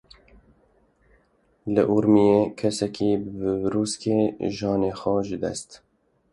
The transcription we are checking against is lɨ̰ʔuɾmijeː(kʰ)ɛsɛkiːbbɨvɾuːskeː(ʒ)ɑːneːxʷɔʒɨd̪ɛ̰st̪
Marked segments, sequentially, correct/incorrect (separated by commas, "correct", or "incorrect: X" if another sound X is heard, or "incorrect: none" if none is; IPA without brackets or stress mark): correct, correct